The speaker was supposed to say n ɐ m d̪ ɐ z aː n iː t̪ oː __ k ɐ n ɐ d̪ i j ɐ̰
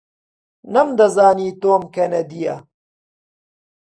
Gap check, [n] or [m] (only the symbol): m